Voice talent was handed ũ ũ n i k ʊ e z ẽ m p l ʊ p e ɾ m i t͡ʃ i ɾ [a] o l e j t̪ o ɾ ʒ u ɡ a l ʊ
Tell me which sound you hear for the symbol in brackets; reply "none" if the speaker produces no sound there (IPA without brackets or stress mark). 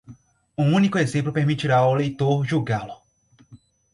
a